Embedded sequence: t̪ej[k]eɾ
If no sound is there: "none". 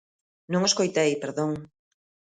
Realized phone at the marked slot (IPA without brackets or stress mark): p